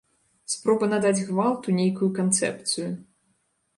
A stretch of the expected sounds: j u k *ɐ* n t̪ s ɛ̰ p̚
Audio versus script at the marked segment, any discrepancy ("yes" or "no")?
yes